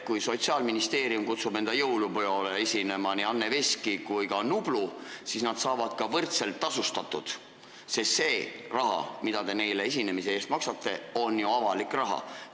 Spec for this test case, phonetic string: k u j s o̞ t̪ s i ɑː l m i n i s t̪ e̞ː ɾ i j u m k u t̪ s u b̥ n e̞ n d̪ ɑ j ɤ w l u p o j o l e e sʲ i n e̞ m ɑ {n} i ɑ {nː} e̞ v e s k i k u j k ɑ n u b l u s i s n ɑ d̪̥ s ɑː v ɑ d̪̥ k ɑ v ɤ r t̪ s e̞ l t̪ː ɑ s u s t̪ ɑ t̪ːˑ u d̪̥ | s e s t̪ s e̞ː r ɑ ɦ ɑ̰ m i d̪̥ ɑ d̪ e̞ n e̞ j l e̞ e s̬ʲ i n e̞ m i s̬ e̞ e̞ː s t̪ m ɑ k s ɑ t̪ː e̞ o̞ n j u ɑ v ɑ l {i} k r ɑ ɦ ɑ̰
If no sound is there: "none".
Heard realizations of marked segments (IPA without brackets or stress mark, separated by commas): n, nː, i